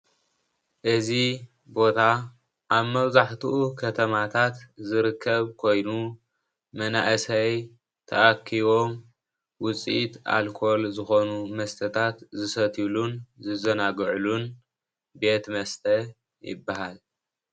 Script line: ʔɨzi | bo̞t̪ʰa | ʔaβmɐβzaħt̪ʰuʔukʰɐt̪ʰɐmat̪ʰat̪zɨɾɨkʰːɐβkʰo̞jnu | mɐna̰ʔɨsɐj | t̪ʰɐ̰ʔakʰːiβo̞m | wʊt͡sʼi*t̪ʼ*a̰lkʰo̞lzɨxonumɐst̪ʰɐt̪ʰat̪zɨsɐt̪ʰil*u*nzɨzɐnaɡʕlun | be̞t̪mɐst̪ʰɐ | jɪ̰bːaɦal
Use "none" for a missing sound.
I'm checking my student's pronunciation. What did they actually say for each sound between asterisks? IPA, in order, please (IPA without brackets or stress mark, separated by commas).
t̪, u